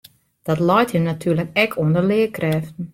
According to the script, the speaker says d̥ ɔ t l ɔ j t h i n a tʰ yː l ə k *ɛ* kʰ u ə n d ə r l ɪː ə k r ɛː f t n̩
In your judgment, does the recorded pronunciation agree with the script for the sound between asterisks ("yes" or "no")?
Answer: yes